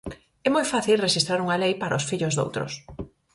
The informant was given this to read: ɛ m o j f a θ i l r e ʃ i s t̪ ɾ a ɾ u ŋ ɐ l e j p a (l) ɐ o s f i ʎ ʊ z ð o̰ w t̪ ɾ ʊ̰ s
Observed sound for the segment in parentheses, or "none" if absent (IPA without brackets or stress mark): ɾ